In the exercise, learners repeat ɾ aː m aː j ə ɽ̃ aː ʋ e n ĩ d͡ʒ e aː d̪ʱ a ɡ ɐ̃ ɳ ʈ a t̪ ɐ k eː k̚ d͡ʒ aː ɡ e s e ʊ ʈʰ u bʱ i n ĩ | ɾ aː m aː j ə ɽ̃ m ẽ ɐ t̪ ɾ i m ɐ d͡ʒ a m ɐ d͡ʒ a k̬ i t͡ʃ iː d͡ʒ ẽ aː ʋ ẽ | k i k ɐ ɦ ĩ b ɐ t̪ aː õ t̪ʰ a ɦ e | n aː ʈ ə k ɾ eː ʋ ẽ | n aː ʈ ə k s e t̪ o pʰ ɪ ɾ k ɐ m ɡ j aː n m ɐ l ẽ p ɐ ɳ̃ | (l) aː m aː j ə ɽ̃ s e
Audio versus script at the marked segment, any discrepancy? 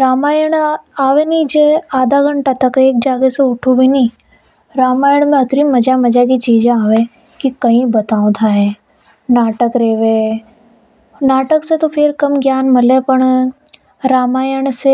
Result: yes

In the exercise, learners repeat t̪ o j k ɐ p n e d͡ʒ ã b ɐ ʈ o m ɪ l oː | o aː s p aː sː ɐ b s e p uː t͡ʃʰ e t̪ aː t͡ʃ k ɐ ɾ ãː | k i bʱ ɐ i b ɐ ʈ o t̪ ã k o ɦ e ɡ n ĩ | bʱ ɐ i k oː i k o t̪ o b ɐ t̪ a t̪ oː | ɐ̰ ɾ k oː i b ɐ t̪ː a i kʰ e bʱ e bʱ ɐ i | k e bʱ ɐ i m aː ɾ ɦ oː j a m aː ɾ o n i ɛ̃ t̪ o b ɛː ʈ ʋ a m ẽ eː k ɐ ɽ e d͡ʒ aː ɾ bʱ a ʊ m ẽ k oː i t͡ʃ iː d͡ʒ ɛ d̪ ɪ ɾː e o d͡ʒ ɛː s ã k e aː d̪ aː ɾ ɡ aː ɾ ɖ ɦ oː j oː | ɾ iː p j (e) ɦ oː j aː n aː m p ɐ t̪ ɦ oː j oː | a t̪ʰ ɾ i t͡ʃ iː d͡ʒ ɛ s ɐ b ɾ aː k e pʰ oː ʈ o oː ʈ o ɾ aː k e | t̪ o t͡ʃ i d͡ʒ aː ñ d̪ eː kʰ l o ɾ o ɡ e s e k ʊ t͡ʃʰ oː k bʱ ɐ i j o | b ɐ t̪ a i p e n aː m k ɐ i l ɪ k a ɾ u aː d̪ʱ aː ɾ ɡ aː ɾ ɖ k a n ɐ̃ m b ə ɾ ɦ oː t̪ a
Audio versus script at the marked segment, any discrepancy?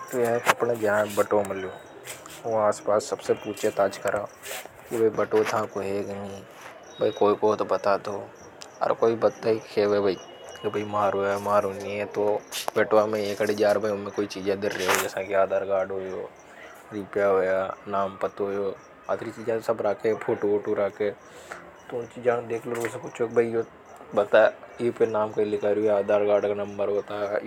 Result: yes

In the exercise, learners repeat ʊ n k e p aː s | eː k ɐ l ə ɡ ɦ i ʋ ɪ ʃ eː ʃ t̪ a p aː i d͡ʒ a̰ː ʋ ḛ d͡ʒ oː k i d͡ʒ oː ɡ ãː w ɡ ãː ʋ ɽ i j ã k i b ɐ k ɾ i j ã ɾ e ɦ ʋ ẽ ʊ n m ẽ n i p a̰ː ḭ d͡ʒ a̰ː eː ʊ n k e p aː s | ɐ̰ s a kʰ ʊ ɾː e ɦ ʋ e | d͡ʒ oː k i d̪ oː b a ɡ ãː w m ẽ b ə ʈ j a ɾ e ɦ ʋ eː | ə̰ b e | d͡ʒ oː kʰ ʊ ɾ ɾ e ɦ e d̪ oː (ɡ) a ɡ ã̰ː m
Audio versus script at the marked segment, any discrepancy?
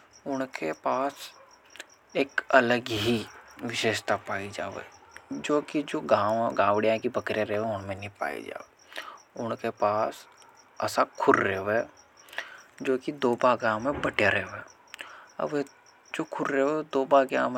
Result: yes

